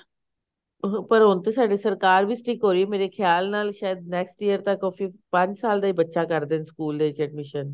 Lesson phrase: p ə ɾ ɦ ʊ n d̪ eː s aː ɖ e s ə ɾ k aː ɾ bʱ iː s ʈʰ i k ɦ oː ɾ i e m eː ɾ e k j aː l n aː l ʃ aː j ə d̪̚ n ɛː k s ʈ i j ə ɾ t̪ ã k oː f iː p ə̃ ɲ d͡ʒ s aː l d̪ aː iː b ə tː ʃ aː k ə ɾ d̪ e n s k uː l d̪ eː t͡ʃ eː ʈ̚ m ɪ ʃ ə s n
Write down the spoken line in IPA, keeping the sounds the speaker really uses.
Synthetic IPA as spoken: p ə ɾ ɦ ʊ n t̪ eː s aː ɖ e s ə ɾ k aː ɾ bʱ iː s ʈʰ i k ɦ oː ɾ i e m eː ɾ e kʰ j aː l n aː l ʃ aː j ə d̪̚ n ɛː k s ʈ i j ə ɾ t̪ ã k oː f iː p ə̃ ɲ d͡ʒ s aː l d̪ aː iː b ə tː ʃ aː k ə ɾ d̪ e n s k uː l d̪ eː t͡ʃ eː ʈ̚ m ɪ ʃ ə n